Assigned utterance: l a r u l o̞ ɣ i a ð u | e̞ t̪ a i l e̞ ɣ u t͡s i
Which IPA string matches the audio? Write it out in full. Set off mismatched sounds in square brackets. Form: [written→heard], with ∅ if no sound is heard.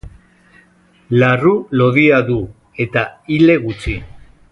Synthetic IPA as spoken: l a r u l o̞ [ɣ→ð] i a ð u | e̞ t̪ a i l e̞ ɣ u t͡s i

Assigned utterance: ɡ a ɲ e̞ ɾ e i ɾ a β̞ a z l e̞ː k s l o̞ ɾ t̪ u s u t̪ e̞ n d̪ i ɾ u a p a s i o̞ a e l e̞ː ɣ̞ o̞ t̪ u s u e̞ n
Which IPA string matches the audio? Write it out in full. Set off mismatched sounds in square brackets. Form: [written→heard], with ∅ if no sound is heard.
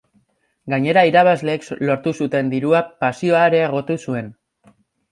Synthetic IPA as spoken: ɡ a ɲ e̞ ɾ [e→a] i ɾ a β̞ a z l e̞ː k s l o̞ ɾ t̪ u s u t̪ e̞ n d̪ i ɾ u a p a s i o̞ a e [l→ɾ] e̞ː ɣ̞ o̞ t̪ u s u e̞ n

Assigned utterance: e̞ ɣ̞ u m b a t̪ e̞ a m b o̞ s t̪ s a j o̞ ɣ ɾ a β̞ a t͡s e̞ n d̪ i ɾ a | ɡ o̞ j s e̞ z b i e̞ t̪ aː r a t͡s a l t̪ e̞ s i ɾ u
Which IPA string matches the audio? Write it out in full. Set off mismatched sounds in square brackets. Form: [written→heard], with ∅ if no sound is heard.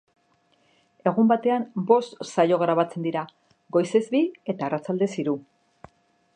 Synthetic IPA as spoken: e̞ ɣ̞ u m b a t̪ e̞ a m b o̞ s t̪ s a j o̞ ɣ ɾ a β̞ a t͡s e̞ n d̪ i ɾ a | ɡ o̞ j s e̞ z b i e̞ t̪ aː r a t͡s a l [t̪→d̪] e̞ s i ɾ u

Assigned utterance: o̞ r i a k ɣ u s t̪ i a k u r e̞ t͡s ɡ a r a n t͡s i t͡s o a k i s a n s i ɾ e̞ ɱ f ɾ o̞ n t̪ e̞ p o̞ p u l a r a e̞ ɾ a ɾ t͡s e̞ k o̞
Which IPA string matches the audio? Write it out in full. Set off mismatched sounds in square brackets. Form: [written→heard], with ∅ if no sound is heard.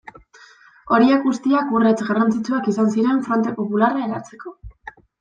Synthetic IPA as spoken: o̞ [r→ɾ] i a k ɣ u s t̪ i a k u r e̞ t͡s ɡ a r a n t͡s i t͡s [o→u] a k i s a n s i ɾ e̞ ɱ f ɾ o̞ n t̪ e̞ p o̞ p u l a r a e̞ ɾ a ɾ t͡s e̞ k o̞

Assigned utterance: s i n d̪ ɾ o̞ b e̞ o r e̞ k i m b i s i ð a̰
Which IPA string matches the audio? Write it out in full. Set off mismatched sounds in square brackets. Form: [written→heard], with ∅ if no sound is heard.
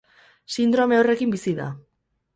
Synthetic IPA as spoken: s i n d̪ ɾ o̞ [b→m] e̞ o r e̞ k i m b i s i ð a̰

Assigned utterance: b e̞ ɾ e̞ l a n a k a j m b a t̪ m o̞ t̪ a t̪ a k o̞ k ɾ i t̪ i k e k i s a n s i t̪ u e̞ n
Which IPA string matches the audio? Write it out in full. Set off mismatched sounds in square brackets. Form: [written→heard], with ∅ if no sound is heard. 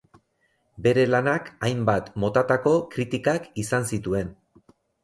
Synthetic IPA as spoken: b e̞ ɾ e̞ l a n a k a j m b a t̪ m o̞ t̪ a t̪ a k o̞ k ɾ i t̪ i k [e→a] k i s a n s i t̪ u e̞ n

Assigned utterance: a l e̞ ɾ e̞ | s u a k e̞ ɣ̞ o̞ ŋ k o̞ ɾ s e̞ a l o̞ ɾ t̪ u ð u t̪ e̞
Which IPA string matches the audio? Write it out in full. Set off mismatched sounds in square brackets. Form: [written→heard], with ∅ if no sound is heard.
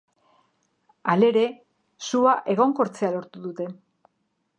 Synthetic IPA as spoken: a l e̞ ɾ e̞ | s u a [k→ʔ] e̞ ɣ̞ o̞ ŋ k o̞ ɾ [s→t͡s] e̞ a l o̞ ɾ t̪ u ð u t̪ e̞

